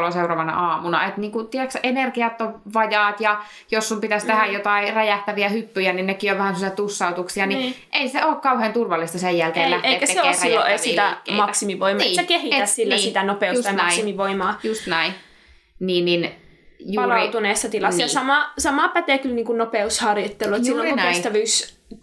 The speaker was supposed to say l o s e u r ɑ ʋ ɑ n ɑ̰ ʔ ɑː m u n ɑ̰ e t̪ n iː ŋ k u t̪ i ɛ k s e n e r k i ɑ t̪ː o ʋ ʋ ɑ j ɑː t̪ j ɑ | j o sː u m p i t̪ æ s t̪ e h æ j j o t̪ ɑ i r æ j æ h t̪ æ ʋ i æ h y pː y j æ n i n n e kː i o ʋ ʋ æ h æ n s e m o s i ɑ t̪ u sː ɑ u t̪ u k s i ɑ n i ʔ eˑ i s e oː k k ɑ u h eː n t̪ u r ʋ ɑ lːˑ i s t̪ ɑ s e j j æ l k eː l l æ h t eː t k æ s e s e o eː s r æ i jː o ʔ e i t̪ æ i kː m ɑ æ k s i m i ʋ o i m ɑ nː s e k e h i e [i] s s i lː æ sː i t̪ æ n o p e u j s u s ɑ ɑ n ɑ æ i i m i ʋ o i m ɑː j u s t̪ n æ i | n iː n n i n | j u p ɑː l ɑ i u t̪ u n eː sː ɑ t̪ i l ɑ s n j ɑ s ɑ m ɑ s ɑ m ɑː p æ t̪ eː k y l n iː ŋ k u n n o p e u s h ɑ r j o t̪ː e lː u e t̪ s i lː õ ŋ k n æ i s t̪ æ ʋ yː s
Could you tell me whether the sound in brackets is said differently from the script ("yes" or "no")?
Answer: yes